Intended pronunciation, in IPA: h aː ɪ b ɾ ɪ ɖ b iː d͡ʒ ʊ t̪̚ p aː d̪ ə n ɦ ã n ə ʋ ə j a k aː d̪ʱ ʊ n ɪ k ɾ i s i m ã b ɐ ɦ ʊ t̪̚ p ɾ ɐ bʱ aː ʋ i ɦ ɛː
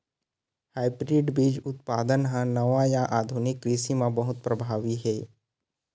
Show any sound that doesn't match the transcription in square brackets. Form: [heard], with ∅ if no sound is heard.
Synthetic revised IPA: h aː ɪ b ɾ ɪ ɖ b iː d͡ʒ ʊ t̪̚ p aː d̪ ə n ɦ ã n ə ʋ [a] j a [ʔ] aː d̪ʱ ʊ n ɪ k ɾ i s i m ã b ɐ ɦ ʊ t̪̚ p ɾ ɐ bʱ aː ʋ i ɦ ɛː